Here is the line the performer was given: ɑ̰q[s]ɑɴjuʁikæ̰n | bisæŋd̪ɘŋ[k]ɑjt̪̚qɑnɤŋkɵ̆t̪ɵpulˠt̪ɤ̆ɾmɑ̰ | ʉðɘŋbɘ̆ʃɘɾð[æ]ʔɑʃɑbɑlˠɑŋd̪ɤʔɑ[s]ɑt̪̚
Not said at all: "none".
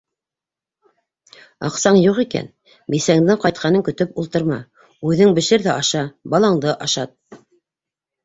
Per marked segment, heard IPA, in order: s, q, æ, ʃ

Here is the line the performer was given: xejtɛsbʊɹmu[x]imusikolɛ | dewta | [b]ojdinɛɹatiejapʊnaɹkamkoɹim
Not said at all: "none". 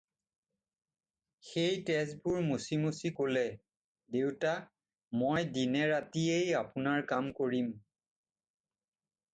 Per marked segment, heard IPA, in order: s, m

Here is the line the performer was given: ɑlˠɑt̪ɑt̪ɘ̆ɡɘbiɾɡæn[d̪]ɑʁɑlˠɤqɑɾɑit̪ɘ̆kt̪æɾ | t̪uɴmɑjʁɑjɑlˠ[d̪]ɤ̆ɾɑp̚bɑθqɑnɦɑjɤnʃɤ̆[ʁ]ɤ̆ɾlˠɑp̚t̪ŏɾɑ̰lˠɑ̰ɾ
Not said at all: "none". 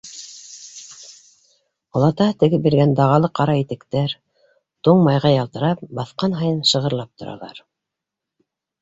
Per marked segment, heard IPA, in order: d̪, t̪, ʁ

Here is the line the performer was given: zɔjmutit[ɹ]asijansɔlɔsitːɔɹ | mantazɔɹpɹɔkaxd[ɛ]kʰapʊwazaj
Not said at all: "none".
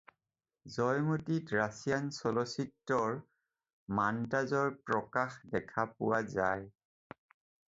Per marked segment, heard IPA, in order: ɹ, ɛ

